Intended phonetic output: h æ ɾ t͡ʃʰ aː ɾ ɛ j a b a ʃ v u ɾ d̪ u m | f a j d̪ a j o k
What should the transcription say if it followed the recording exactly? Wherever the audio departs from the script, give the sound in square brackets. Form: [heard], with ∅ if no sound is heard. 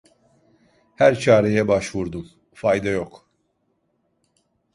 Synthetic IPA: h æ ɾ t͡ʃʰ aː ɾ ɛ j [ɛ] b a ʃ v u ɾ d̪ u m | f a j d̪ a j o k